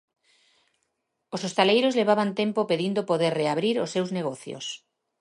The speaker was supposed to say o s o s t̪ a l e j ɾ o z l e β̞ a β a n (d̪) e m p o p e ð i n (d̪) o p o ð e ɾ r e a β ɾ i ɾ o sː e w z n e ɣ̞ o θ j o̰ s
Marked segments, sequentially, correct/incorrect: incorrect: t̪, correct

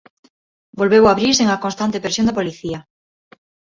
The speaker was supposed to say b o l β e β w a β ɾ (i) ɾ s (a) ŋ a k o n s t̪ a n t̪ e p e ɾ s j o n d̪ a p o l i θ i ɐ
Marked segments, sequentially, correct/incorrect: correct, incorrect: e

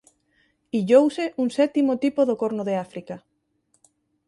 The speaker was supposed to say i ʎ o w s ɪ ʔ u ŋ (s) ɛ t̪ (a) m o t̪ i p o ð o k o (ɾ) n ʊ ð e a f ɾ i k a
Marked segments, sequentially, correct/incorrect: correct, incorrect: i, correct

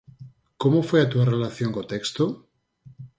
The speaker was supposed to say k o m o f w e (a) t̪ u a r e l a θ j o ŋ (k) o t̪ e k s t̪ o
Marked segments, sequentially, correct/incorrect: correct, correct

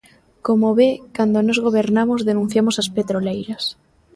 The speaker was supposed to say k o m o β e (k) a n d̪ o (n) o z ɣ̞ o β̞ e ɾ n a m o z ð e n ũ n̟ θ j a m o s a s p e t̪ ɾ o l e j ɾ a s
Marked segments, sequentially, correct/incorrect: correct, correct

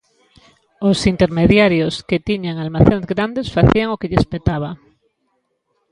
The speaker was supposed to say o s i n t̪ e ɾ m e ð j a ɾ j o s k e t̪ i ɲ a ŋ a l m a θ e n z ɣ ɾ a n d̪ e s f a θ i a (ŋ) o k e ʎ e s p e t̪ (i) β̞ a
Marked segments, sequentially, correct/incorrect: correct, incorrect: a

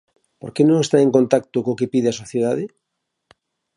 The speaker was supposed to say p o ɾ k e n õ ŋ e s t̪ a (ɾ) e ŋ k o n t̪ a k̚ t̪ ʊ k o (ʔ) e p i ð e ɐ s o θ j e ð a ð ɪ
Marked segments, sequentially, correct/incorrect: incorrect: none, incorrect: k

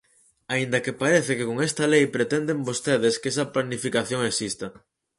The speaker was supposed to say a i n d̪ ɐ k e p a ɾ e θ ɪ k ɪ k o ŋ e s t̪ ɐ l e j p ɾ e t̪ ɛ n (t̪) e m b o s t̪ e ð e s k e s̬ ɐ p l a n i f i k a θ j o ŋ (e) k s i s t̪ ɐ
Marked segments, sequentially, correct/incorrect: incorrect: d̪, correct

